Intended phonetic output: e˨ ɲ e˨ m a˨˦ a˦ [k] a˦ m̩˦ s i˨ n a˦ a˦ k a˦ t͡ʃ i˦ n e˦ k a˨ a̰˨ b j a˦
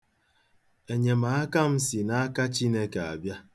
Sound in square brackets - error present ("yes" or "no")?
no